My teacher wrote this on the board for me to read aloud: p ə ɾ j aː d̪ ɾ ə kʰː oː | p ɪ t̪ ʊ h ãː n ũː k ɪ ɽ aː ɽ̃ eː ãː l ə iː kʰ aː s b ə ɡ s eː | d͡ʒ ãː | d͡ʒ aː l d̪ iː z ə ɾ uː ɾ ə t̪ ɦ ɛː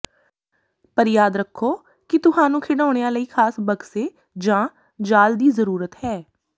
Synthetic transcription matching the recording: p ə ɾ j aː d̪ ɾ ə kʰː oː | k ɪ t̪ ʊ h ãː n ũː kʰ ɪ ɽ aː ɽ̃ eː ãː l ə iː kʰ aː s b ə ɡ s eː | d͡ʒ ãː | d͡ʒ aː l d̪ iː z ə ɾ uː ɾ ə t̪ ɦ ɛː